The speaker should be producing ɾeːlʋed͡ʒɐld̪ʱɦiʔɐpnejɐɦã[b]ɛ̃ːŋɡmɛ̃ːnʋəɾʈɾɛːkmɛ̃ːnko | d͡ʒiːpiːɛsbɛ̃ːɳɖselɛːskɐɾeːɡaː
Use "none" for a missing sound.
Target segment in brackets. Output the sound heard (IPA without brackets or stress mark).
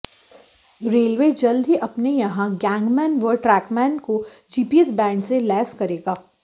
ɡ